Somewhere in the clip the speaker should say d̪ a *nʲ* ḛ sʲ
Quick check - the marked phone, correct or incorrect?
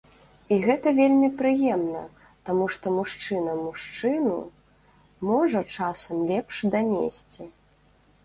correct